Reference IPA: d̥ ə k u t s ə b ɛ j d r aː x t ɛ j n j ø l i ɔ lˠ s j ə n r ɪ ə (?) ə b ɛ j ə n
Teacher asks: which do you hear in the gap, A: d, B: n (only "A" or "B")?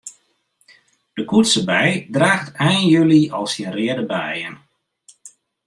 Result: A